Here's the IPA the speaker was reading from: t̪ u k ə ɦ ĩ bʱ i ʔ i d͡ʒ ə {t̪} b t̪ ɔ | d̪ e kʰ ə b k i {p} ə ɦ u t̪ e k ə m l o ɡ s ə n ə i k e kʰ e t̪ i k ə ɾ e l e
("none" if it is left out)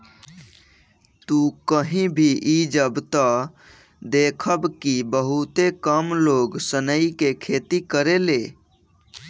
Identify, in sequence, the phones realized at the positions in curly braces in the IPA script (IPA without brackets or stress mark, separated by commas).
none, b